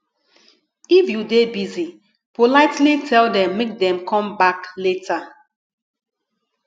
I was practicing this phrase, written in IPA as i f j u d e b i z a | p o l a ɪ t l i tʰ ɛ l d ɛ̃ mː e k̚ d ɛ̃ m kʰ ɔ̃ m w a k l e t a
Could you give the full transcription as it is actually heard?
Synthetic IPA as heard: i f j u d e b i z i | p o l a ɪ t l i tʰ ɛ l d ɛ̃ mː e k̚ d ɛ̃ m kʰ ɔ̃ m b a k l e t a